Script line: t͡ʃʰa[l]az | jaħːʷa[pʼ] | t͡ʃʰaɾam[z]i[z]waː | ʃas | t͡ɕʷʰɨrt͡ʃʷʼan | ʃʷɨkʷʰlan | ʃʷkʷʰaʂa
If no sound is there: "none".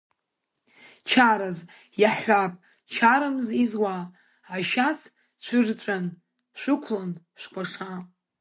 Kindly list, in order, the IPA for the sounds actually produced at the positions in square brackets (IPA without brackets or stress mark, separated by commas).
ɾ, pʼ, z, z